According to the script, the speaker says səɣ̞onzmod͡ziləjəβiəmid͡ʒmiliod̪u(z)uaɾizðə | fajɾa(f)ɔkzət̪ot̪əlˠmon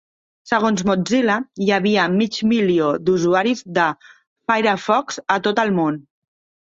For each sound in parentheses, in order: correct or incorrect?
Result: correct, correct

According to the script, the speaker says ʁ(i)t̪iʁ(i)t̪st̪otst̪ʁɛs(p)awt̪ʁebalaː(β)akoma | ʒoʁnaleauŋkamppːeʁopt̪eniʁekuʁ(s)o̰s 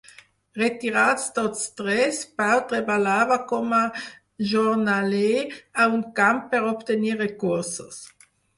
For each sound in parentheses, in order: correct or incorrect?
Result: incorrect, incorrect, correct, incorrect, correct

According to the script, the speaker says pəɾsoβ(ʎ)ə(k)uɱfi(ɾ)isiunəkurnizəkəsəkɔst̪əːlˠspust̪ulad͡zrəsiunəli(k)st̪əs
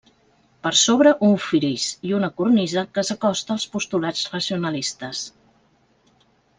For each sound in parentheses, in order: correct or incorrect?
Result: incorrect, incorrect, correct, incorrect

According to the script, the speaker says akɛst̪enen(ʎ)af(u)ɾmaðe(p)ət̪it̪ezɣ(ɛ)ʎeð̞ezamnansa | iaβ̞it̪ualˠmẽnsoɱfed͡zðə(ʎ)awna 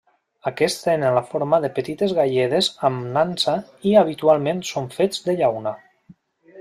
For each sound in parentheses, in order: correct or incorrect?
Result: incorrect, incorrect, correct, incorrect, correct

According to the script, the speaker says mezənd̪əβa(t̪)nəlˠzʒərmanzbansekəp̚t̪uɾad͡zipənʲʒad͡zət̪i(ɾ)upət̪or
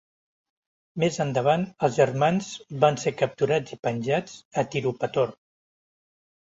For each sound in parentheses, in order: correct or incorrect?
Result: incorrect, correct

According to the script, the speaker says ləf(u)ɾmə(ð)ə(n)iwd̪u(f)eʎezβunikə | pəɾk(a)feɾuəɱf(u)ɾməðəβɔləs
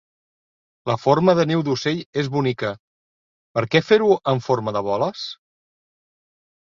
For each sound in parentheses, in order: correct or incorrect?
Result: incorrect, correct, correct, incorrect, incorrect, incorrect

